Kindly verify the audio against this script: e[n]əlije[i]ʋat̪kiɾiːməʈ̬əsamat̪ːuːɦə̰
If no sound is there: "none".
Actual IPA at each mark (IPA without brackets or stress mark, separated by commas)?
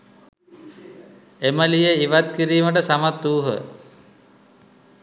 m, i